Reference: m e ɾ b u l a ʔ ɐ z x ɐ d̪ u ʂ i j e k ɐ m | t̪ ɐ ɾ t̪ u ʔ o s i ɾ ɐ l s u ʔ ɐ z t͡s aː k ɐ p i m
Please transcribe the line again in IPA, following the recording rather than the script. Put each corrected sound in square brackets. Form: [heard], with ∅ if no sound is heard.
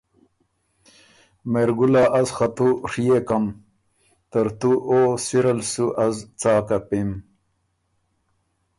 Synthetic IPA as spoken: m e ɾ [ɡ] u l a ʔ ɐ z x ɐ [t̪] u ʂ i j e k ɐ m | t̪ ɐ ɾ t̪ u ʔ o s i ɾ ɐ l s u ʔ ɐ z t͡s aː k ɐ p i m

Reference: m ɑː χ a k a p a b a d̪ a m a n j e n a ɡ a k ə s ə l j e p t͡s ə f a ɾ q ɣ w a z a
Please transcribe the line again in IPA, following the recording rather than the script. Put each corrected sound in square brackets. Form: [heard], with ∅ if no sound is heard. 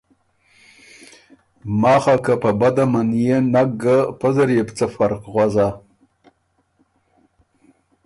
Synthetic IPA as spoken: m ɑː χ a k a p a b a d̪ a m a n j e n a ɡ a [p] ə [z] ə [ɾ] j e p t͡s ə f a ɾ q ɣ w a z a

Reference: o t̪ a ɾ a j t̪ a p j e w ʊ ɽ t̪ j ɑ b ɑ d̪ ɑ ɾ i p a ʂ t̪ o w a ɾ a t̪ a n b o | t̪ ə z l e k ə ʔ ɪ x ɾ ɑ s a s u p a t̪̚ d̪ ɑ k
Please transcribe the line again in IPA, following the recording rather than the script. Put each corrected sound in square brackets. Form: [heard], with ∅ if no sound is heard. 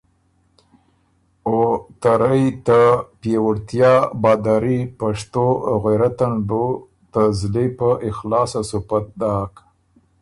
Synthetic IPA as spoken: o t̪ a ɾ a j t̪ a p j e w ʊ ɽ t̪ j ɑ b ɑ d̪ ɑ ɾ i p a ʂ t̪ o [ɣ] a ɾ a t̪ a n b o | t̪ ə z l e [p] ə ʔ ɪ x [l] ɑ s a s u p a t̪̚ d̪ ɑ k

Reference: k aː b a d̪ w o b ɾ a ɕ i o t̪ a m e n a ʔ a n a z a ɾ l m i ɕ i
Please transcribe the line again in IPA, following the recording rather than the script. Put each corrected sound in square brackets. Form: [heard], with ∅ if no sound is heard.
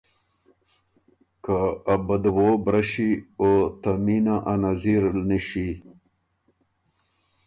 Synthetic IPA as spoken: k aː b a d̪ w o b ɾ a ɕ i o t̪ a m [i] n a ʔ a n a z [i] ɾ l [n] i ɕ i

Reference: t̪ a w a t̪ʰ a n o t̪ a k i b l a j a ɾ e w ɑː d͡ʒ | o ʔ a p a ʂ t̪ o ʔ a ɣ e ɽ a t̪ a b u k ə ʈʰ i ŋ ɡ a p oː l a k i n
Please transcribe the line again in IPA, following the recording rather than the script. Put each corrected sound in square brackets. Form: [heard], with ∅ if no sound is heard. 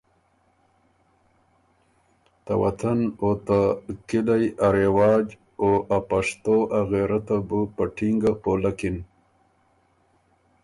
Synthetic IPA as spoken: t̪ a w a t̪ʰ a n o t̪ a k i [∅] l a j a ɾ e w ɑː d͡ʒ | o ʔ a p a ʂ t̪ o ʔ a ɣ e [ɾ] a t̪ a b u [p] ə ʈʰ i ŋ ɡ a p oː l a k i n

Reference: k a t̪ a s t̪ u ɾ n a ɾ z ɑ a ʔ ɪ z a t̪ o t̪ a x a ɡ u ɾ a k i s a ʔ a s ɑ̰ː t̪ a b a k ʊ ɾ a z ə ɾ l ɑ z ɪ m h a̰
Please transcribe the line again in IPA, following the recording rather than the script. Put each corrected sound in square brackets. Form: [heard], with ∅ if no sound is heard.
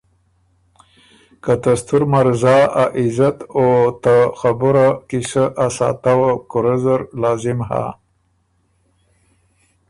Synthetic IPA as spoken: k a t̪ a s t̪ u ɾ [m] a ɾ z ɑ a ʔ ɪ z a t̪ o t̪ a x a [b] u ɾ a k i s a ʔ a s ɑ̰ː t̪ a [w] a k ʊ ɾ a z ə ɾ l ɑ z ɪ m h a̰

